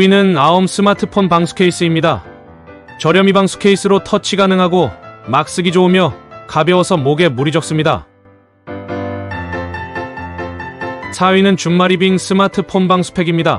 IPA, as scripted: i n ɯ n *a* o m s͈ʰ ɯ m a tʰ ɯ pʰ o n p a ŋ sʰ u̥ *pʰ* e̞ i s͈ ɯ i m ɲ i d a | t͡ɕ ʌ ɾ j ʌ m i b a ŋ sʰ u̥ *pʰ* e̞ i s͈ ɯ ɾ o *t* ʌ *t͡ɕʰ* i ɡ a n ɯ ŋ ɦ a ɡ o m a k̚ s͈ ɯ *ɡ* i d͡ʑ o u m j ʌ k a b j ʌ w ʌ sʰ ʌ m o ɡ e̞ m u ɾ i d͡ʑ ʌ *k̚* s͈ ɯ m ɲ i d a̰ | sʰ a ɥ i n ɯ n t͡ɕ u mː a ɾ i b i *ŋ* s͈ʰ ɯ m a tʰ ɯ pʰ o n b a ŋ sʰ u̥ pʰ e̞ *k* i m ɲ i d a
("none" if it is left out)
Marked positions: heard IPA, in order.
a, kʰ, kʰ, tʰ, t͡ɕʰ, ɡ, k̚, ŋ, ɡ

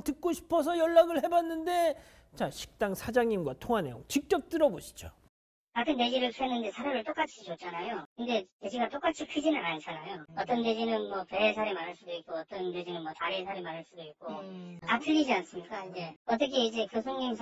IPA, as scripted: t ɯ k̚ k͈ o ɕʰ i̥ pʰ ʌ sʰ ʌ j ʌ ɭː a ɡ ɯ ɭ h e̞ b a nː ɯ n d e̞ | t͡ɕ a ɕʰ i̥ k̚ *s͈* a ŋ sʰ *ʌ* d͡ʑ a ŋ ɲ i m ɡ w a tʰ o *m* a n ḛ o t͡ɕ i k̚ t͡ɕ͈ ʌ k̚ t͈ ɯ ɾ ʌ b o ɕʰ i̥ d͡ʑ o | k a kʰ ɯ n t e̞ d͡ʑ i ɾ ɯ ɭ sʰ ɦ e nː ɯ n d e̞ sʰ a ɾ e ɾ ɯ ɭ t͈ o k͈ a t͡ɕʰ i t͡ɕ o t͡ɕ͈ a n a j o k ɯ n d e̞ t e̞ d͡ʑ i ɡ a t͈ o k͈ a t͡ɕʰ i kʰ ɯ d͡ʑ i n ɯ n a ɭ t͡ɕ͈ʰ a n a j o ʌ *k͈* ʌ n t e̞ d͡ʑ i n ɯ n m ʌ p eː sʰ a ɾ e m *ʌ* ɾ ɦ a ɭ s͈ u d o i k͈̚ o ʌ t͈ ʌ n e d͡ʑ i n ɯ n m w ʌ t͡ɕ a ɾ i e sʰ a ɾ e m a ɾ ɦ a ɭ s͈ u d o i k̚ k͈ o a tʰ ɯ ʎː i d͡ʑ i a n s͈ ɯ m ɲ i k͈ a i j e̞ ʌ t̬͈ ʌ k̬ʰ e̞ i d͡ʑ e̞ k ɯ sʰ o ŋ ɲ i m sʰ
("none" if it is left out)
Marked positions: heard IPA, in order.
t͈, a, ŋ, t͈, a

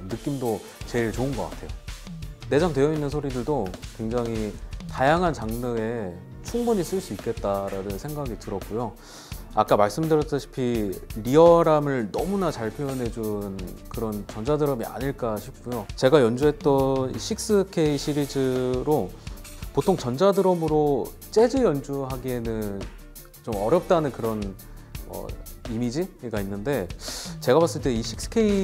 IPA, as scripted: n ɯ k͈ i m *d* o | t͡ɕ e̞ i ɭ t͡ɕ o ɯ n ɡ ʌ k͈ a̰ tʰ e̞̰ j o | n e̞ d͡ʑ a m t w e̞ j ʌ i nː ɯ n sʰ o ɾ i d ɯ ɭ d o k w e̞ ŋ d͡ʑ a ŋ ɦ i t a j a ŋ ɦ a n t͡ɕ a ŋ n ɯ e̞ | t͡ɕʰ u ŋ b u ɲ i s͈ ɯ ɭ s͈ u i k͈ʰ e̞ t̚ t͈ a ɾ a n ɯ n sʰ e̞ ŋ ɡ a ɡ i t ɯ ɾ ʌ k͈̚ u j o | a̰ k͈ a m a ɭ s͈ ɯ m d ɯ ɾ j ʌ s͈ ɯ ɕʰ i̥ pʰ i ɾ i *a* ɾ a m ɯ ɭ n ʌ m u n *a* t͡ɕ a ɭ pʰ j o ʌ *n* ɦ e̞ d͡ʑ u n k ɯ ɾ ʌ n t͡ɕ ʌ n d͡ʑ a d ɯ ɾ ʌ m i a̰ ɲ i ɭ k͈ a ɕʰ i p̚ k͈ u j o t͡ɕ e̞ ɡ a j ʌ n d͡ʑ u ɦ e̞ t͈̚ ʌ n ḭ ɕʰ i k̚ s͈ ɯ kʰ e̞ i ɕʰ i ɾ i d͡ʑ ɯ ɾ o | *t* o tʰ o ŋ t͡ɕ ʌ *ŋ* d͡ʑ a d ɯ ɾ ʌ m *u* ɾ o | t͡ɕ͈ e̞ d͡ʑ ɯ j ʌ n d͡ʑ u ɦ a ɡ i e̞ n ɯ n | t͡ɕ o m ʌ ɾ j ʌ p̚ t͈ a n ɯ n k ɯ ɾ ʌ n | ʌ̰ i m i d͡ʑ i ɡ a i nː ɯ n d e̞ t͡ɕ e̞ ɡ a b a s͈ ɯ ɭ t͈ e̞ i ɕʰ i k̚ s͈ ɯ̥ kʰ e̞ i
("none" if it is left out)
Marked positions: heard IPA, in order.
d, ʌ, a, n, p, n, ɯ

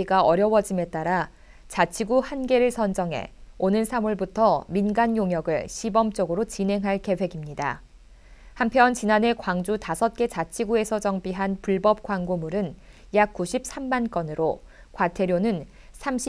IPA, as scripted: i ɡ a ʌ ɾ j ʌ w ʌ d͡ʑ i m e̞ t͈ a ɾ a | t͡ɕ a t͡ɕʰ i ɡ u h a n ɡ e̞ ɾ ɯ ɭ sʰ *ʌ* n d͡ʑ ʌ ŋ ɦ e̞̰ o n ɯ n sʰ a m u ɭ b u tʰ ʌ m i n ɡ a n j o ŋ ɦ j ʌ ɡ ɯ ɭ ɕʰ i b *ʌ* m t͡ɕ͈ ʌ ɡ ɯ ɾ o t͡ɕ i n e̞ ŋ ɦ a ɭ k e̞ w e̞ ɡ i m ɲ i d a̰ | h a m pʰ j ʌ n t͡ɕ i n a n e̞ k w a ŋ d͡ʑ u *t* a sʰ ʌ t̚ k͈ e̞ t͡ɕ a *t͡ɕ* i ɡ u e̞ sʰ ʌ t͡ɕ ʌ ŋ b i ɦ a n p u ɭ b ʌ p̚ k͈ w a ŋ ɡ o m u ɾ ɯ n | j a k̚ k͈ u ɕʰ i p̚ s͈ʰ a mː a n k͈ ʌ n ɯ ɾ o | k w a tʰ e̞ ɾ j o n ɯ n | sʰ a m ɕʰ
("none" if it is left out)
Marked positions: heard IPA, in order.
ʌ, ʌ, t, t͡ɕʰ

